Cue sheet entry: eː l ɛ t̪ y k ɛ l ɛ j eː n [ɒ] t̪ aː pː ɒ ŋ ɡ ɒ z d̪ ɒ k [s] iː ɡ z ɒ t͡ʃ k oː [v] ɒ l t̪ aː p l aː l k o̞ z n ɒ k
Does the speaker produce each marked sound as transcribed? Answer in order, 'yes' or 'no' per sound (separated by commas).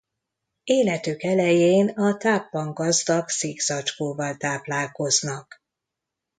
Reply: yes, yes, yes